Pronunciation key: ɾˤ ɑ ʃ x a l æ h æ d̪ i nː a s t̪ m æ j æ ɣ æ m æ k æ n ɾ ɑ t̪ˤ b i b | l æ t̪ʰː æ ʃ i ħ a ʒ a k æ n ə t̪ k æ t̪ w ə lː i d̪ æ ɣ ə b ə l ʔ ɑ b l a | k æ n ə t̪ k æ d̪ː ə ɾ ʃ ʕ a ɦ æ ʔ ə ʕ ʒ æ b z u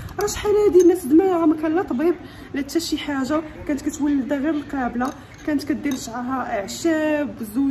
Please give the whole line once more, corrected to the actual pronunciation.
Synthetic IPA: ɾˤ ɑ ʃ ħ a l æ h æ d̪ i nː æ s d̪ m æ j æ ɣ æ m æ k æ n l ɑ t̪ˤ b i b | l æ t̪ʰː æ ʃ i ħ a ʒ a k æ n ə t̪ k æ t̪ w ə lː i d̪ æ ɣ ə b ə l q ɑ b l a | k æ n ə t̪ k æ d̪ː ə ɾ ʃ ʕ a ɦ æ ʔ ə ʕ ʃ æ b z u